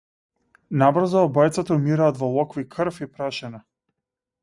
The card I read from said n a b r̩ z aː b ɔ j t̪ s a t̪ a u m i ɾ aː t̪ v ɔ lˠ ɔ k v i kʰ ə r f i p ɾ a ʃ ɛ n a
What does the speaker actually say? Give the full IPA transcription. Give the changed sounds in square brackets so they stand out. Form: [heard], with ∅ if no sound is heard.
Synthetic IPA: n a b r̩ z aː b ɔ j t̪ s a t̪ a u m i ɾ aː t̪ v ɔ lˠ ɔ k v i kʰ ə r f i p ɾ a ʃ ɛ n a